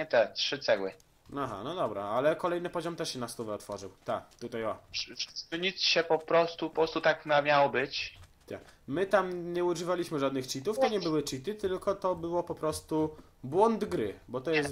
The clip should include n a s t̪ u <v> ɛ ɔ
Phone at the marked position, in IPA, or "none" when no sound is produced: v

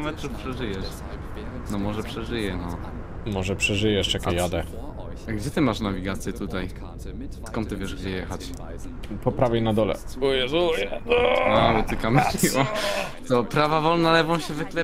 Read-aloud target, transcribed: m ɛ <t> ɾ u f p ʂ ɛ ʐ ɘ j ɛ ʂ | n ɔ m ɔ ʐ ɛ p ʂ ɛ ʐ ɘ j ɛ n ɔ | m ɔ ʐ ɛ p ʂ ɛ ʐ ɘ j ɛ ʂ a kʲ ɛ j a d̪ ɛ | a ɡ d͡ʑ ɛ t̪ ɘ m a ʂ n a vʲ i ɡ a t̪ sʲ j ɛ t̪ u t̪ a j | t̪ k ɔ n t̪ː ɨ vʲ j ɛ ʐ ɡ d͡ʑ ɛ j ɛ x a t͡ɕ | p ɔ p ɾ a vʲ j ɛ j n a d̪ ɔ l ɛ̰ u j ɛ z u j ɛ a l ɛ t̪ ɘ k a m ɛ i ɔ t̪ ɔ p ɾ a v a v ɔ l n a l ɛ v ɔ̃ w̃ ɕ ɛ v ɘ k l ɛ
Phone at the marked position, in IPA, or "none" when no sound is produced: t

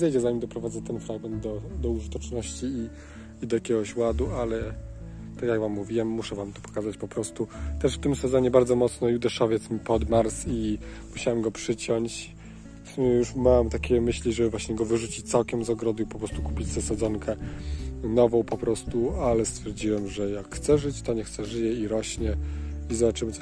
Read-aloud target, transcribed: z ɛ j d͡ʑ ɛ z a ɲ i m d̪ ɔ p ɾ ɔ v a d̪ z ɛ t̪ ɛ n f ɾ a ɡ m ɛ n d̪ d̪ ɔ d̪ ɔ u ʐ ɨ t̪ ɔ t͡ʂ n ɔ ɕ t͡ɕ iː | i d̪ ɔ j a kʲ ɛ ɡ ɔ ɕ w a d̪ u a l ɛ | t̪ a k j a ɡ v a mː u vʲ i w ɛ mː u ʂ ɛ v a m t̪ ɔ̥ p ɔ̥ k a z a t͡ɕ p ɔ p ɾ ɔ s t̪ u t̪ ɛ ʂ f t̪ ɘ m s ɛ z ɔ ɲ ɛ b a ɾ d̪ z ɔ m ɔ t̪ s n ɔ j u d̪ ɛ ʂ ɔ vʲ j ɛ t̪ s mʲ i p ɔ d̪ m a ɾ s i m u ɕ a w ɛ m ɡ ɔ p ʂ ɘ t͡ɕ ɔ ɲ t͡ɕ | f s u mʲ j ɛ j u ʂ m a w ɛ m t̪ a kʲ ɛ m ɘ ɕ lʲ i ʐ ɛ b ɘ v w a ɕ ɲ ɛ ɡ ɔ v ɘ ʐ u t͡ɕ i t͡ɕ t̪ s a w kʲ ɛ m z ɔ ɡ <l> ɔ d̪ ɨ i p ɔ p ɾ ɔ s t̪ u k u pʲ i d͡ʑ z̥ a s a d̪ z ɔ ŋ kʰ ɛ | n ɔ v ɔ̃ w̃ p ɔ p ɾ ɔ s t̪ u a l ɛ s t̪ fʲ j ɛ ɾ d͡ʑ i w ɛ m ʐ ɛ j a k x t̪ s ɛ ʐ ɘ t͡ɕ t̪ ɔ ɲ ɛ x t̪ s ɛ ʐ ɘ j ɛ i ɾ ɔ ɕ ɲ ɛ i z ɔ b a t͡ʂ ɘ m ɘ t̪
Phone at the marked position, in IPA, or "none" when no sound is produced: ɾ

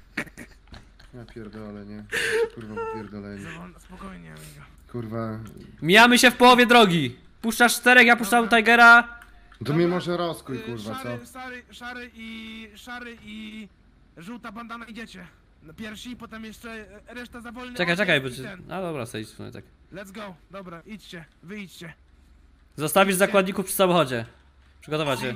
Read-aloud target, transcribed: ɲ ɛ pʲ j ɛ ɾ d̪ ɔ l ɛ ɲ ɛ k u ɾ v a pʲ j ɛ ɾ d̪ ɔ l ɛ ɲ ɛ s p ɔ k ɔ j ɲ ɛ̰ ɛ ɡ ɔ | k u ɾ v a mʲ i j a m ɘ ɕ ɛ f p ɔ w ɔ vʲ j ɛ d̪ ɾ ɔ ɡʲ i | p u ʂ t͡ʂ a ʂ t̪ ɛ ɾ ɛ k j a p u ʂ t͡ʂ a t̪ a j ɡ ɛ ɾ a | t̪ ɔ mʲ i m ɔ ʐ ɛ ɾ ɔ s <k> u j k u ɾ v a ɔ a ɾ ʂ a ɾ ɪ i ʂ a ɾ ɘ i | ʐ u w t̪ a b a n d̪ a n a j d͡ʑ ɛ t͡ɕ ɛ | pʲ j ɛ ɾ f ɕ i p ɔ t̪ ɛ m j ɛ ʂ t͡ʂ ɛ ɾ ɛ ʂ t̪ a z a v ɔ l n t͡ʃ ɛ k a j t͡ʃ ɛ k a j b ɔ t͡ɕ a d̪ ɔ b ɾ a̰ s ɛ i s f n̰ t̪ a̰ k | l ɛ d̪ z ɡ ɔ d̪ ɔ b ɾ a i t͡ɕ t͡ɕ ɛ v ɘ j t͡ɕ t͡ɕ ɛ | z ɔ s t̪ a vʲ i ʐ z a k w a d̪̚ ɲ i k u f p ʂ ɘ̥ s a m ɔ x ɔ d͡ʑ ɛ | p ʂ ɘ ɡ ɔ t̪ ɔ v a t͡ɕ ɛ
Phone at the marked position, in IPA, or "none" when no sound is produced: k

